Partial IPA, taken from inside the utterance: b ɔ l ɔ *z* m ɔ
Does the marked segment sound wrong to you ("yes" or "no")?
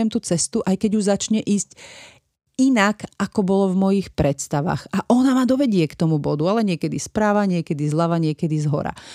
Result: yes